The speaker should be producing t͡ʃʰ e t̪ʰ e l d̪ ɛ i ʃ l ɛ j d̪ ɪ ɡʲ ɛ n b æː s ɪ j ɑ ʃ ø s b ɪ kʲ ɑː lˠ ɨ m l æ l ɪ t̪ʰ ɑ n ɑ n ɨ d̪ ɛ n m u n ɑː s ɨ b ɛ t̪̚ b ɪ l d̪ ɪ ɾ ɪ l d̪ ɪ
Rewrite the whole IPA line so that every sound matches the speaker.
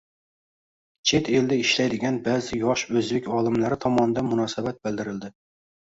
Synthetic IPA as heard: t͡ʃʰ e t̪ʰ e l d̪ ɛ i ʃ l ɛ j d̪ ɪ ɡʲ ɛ n b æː z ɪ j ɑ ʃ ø z b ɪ kʲ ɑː lˠ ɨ m l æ ɾ ɪ t̪ʰ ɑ m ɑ n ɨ d̪ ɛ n m u n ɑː s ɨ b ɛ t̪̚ b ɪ l d̪ ɪ ɾ ɪ l d̪ ɪ